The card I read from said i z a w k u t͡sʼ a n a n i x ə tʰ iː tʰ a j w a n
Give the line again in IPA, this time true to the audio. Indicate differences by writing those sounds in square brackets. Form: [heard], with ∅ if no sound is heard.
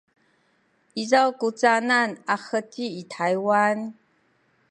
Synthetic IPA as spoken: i z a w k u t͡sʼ a n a n [a] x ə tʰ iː tʰ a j w a n